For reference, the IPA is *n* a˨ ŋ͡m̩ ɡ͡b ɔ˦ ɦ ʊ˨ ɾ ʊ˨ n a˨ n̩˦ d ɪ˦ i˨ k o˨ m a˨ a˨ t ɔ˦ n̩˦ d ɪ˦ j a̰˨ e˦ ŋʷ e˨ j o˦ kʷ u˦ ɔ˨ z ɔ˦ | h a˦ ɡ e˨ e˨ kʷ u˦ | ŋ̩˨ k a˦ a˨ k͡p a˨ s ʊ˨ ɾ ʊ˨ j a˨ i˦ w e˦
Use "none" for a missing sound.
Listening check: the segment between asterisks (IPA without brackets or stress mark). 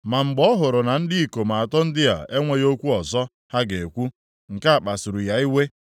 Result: m